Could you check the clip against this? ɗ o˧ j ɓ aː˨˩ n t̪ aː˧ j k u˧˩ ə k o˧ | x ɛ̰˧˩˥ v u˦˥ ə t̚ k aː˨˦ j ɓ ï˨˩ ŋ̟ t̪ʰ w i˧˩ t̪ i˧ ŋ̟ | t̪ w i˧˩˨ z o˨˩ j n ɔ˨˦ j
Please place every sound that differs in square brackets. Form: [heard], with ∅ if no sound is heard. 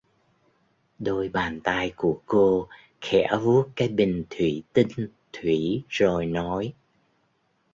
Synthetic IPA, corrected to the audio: ɗ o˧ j ɓ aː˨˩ n t̪ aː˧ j k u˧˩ ə k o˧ | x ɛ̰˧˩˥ v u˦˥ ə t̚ k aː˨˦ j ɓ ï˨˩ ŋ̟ t̪ʰ w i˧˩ t̪ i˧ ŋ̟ | [t̪ʰ] w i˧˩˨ z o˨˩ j n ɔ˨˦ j